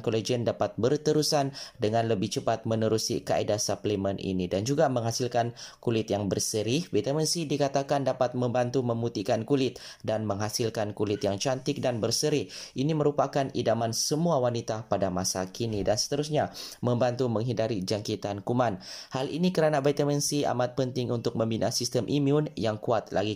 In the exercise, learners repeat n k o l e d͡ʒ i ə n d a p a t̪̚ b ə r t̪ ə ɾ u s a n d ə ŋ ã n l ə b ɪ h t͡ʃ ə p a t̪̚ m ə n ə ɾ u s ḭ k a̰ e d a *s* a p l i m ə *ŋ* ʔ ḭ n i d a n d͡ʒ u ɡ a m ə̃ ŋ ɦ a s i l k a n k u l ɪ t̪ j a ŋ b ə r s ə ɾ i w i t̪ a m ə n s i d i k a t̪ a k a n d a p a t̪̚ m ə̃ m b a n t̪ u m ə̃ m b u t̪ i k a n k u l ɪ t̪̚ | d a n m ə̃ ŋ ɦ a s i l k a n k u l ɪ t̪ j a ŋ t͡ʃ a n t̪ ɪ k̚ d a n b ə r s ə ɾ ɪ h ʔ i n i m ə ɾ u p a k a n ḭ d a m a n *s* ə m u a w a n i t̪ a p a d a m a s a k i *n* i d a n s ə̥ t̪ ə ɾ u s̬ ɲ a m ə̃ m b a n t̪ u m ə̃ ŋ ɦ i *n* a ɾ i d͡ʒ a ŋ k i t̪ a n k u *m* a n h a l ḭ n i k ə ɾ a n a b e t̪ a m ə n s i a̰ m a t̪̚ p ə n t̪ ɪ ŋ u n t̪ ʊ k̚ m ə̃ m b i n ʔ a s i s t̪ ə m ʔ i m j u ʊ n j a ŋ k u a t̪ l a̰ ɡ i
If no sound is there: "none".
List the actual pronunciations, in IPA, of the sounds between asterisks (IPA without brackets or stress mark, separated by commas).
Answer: s, n, s, n, d, m